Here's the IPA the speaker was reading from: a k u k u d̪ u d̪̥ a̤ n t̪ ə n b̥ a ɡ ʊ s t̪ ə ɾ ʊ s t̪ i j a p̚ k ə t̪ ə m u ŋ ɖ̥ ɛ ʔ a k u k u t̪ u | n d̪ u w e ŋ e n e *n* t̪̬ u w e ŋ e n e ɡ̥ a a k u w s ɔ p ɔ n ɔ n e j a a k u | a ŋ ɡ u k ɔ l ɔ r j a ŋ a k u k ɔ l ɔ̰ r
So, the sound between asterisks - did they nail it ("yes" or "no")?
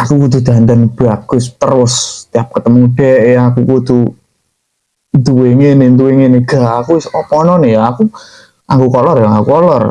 yes